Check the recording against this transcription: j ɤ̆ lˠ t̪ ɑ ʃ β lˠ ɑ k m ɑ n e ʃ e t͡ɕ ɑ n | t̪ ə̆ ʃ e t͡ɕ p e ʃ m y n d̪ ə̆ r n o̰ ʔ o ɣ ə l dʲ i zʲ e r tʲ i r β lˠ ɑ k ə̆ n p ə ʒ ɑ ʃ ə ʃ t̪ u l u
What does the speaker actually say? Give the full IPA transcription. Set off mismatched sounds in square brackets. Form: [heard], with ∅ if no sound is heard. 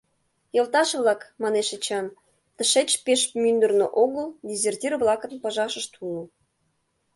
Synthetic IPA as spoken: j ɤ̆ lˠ t̪ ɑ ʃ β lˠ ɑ k m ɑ n e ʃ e t͡ɕ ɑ n | t̪ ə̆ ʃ e t͡ɕ p e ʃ m y n d̪ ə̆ r n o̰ ʔ o ɣ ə l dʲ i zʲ e r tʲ i r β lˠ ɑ k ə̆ n p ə ʒ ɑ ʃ ə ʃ t̪ u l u